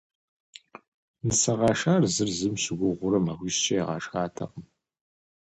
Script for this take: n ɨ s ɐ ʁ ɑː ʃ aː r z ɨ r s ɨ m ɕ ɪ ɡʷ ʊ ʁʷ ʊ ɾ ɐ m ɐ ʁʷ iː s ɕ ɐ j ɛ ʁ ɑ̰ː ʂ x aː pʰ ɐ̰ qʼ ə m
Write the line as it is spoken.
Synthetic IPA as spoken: n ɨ s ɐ ʁ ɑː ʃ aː r z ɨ r z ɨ m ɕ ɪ ɡʷ ʊ ʁʷ ʊ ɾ ɐ m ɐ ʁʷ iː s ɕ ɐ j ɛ ʁ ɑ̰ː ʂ x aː tʰ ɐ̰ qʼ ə m